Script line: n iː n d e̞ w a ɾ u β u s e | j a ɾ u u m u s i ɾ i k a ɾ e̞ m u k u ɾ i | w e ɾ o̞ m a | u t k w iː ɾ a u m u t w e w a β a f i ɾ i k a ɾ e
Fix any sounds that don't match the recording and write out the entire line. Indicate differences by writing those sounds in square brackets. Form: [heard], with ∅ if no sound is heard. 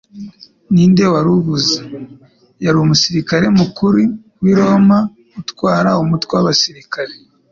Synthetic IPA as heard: n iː n d e̞ w a ɾ u β u [z] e | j a ɾ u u m u s i ɾ i k a ɾ e̞ m u k u ɾ i | w [i] ɾ o̞ m a | u t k w [aː] ɾ a u m u t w e w a β a [s] i ɾ i k a ɾ e